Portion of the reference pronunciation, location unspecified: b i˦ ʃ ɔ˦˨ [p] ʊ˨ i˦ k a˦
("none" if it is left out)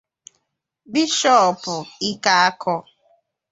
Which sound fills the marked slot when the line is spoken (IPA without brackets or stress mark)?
p